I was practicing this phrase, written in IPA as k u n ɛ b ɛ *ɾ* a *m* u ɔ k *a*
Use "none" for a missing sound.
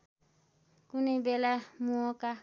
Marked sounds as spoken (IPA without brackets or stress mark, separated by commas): l, m, a